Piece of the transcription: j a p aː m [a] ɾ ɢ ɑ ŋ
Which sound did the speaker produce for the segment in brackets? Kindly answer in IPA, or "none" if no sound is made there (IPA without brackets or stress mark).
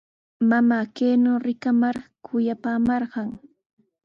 ɑ